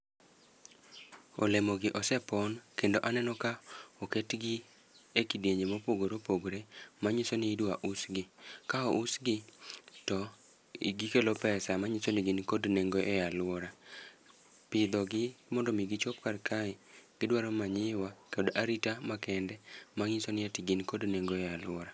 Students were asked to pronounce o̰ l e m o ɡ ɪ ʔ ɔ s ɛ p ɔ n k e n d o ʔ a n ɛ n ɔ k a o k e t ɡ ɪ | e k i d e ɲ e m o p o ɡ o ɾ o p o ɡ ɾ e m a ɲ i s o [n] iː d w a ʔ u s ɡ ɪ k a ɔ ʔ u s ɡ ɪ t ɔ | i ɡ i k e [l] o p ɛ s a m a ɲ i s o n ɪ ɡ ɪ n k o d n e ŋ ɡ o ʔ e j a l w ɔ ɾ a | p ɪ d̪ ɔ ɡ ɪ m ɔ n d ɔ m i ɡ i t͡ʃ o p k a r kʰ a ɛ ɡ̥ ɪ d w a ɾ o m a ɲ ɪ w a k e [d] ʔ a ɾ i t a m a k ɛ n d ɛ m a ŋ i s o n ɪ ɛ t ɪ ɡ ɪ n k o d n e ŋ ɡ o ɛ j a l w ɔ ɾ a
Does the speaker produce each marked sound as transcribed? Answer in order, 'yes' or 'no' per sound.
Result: yes, yes, yes

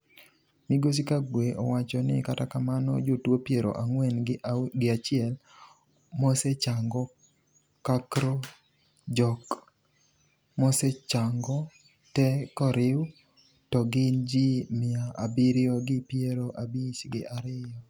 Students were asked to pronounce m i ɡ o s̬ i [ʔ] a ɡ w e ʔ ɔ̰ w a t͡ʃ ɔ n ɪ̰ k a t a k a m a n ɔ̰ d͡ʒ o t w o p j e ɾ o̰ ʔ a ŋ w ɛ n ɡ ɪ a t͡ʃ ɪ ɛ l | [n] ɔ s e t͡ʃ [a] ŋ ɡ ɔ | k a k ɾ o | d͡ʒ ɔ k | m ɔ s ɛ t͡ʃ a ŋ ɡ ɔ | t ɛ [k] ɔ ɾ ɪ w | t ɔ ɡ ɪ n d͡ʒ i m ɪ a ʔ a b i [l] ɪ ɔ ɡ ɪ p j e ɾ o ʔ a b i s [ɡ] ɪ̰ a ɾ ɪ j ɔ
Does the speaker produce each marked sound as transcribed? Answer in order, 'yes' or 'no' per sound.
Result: no, no, yes, yes, no, yes

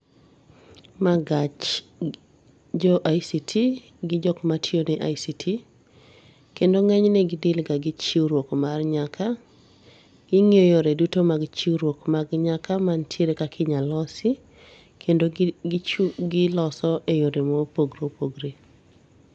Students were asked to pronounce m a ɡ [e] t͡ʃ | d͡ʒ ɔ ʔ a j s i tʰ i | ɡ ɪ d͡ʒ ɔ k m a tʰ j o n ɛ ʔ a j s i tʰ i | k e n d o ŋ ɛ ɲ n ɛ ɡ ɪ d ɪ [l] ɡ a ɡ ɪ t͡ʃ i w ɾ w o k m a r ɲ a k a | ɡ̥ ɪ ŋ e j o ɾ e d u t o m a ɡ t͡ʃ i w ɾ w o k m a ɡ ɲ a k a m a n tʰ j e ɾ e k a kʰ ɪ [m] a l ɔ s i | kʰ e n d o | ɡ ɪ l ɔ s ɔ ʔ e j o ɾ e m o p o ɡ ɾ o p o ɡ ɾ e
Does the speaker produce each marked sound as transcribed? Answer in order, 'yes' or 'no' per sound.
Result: no, yes, no

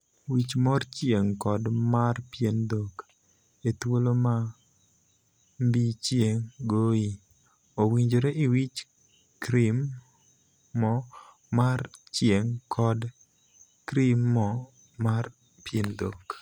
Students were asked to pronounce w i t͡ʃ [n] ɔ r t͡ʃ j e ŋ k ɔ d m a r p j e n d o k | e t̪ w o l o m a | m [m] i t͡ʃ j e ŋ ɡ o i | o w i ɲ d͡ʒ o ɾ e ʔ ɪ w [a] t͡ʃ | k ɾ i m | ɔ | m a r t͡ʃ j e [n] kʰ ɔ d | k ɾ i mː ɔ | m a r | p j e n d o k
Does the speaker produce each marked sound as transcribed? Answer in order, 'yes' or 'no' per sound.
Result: no, no, no, no

